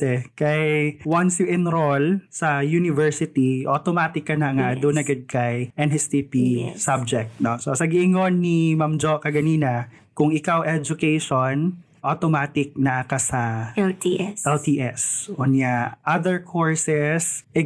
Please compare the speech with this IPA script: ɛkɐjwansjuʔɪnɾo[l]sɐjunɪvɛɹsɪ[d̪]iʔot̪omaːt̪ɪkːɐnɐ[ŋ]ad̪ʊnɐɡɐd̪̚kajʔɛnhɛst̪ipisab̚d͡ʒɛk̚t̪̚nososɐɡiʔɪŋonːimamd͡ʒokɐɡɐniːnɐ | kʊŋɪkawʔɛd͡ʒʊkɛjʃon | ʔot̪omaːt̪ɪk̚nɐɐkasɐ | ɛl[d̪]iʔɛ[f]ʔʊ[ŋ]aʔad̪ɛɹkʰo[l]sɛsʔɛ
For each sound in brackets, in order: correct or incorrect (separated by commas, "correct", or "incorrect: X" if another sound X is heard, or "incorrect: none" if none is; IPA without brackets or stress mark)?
correct, incorrect: t̪, correct, incorrect: t̪, incorrect: s, incorrect: n, incorrect: ɹ